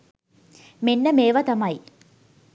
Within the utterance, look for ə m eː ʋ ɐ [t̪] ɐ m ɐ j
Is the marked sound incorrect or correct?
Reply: correct